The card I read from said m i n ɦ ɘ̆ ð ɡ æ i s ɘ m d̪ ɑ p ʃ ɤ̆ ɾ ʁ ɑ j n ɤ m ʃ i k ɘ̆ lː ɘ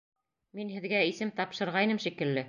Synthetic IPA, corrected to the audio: m i n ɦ ɘ̆ ð ɡ æ i s ɘ m t̪ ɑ p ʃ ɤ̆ ɾ ʁ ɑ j n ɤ m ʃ i k ɘ̆ lː ɘ